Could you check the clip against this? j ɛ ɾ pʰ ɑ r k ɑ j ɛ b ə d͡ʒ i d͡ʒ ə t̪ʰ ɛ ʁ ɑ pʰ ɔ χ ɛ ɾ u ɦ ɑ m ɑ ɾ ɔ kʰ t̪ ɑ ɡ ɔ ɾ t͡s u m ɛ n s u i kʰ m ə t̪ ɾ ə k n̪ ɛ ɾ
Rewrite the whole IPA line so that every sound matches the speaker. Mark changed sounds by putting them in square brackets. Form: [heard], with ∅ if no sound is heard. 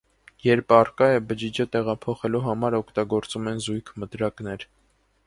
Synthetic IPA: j ɛ ɾ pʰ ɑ r k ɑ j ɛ b ə d͡ʒ i d͡ʒ ə [t̪] ɛ ʁ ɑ pʰ ɔ χ ɛ [l] u ɦ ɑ m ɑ ɾ ɔ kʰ t̪ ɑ ɡ ɔ ɾ t͡s u m ɛ n [z] u [j] kʰ m ə t̪ ɾ [ɑ] k n̪ ɛ ɾ

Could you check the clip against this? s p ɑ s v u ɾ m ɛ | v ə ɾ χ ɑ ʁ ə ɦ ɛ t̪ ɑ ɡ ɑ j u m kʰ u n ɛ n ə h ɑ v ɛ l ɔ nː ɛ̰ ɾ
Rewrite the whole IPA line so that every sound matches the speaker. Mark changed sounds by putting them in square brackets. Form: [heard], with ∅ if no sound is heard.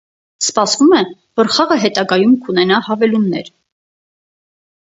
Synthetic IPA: s p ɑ s v u [∅] m ɛ | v ə ɾ χ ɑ ʁ ə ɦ ɛ t̪ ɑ ɡ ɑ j u m kʰ u n ɛ n [ɑ] h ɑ v ɛ l [u] nː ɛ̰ ɾ

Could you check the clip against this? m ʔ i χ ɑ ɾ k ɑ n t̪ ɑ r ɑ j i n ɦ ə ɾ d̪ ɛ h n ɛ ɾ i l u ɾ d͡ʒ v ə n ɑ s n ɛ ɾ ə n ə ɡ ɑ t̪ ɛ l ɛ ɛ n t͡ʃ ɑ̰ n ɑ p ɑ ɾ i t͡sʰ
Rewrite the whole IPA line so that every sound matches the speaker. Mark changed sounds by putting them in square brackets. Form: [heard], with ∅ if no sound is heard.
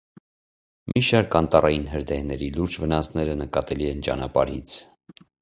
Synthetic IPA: m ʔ i [ʃ] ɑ ɾ k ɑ n t̪ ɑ r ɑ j i n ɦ ə ɾ d̪ ɛ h n ɛ ɾ i l u ɾ d͡ʒ v ə n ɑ s n ɛ ɾ ə n ə [k] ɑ t̪ ɛ l [i] ɛ n t͡ʃ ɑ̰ n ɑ p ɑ ɾ i t͡sʰ

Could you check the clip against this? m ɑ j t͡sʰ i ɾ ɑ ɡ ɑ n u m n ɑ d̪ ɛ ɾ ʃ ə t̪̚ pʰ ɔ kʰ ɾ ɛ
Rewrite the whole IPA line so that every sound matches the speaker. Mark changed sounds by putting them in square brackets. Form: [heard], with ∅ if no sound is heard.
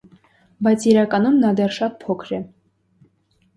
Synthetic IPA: [b] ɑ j t͡sʰ i ɾ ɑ [k] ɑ n u m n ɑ d̪ ɛ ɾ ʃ [ɑ] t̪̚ pʰ ɔ kʰ ɾ ɛ

